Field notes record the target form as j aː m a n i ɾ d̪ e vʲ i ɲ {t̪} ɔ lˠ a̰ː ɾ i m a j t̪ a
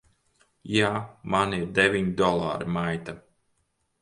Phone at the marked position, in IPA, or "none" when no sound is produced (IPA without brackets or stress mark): d̪